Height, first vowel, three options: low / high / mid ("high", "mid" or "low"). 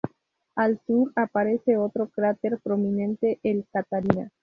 low